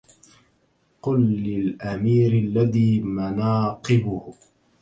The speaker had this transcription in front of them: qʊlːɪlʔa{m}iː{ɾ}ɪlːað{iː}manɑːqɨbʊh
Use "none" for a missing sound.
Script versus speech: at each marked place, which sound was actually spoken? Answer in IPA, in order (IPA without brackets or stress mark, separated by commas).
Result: m, ɾ, iː